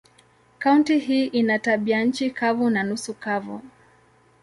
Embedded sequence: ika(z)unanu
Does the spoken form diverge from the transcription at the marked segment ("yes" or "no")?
yes